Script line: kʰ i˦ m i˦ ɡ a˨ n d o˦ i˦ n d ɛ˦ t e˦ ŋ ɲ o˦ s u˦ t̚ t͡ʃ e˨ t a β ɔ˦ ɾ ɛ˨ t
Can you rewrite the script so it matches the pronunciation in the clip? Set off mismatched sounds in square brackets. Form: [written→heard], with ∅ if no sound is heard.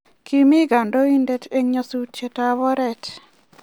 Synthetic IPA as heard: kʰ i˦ m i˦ ɡ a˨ n d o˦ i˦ n d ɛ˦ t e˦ ŋ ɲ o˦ s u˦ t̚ t͡ʃ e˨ t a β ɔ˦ ɾ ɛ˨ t